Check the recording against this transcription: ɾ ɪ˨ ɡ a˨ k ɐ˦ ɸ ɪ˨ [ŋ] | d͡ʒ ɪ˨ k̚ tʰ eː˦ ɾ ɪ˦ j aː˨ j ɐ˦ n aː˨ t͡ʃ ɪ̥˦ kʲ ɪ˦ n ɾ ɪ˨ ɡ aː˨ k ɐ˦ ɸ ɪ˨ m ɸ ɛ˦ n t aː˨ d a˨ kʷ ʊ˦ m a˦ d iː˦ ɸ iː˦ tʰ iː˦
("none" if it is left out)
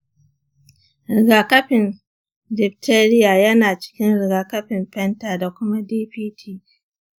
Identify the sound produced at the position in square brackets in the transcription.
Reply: n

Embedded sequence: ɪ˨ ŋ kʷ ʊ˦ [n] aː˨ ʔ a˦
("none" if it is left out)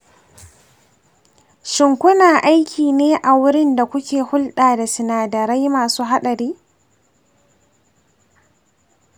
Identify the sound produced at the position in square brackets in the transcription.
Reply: n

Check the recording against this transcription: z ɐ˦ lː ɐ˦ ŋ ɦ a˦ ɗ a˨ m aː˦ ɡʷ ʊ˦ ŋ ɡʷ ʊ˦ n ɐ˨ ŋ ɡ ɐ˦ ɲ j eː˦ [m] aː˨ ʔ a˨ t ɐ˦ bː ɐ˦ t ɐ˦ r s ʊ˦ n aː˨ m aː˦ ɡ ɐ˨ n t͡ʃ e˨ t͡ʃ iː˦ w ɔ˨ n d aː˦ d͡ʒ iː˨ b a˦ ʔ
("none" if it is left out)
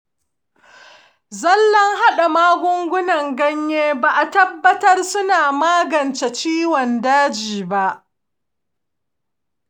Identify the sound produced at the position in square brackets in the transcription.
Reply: b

